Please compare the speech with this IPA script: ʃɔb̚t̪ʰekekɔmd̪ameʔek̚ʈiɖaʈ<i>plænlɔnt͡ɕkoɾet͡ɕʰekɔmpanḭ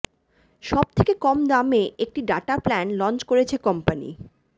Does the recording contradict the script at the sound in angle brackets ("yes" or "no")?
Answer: yes